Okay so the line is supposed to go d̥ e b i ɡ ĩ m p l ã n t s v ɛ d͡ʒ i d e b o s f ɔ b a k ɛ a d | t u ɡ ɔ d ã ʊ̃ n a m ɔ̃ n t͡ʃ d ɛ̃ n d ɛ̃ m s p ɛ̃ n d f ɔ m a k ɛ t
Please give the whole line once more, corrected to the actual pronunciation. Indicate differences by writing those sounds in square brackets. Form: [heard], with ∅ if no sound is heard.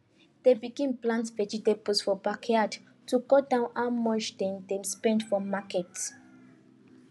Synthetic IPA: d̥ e b i ɡ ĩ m p l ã n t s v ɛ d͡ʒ i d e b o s f ɔ b a k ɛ a d | t u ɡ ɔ d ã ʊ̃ n a m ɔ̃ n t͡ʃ d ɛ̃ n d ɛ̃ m s p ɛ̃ n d f ɔ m a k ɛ t